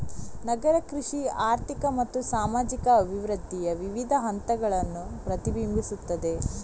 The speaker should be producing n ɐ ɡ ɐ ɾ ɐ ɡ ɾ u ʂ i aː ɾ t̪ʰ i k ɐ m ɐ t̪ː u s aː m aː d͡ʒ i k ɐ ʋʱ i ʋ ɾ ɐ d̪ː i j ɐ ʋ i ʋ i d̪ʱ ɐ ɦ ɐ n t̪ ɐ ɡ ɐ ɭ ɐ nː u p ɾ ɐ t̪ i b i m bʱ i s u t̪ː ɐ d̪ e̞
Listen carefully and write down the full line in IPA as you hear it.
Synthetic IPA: n ɐ ɡ ɐ ɾ ɐ k ɾ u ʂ i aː ɾ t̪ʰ i k ɐ m ɐ t̪ː u s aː m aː d͡ʒ i k ɐ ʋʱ i ʋ ɾ ɐ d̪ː i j ɐ ʋ i ʋ i d̪ʱ ɐ ɦ ɐ n t̪ ɐ ɡ ɐ ɭ ɐ nː u p ɾ ɐ t̪ i b i m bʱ i s u t̪ː ɐ d̪ e̞